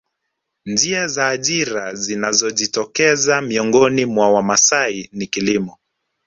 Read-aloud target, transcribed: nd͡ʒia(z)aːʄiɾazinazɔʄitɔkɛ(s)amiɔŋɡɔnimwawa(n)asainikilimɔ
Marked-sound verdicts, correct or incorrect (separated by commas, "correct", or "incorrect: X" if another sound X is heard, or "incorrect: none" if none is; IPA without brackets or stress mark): correct, incorrect: z, incorrect: m